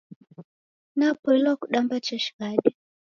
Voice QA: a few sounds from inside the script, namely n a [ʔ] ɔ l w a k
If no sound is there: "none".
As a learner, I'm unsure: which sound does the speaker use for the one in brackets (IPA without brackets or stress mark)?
p